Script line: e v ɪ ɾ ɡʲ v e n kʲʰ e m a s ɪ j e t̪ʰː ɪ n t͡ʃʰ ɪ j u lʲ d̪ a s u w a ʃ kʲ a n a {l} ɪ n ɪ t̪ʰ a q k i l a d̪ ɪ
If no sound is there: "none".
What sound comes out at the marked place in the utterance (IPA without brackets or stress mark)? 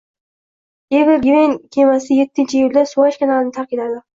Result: l